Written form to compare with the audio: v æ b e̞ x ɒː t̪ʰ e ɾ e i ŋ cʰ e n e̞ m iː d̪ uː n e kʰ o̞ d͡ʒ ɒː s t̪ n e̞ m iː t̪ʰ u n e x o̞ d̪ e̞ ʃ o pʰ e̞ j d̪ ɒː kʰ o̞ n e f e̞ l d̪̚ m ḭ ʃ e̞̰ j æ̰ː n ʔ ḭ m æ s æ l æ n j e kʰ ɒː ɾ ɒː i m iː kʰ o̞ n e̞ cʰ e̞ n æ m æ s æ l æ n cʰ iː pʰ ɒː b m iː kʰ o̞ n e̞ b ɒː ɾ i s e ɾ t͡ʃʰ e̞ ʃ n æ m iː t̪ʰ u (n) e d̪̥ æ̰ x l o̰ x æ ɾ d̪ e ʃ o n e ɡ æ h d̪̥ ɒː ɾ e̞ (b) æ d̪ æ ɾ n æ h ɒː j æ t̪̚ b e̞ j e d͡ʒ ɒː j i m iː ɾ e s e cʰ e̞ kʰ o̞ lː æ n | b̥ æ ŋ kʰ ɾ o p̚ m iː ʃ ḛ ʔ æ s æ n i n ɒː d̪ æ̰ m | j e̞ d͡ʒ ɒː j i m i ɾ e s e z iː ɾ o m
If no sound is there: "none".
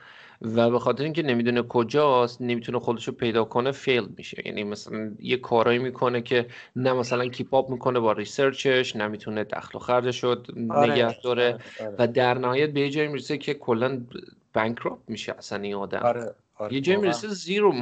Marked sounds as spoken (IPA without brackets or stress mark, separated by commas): n, v